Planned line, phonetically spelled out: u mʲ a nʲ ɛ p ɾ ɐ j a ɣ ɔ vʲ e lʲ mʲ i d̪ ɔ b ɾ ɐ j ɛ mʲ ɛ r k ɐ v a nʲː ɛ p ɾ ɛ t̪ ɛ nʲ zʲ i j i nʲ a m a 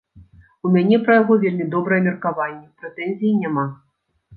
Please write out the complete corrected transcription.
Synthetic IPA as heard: u mʲ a nʲ ɛ p ɾ ɐ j a ɣ ɔ vʲ e lʲ mʲ i d̪ ɔ b ɾ ɐ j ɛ mʲ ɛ r k a v a nʲː ɛ p ɾ ɛ t̪ ɛ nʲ zʲ i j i nʲ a m a